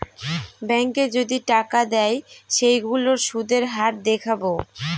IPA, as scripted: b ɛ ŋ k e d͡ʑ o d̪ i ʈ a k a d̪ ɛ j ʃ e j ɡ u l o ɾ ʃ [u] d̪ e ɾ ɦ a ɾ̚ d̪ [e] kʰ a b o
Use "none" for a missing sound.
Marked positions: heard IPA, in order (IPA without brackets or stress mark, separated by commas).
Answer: u, e